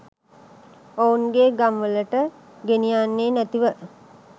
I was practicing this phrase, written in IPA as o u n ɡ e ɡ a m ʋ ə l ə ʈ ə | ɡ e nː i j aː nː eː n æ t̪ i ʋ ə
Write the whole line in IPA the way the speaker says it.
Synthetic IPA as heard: o u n ɡ e ɡ a m ʋ ə l ə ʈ ə | ɡ e n i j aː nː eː n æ t̪ i ʋ ə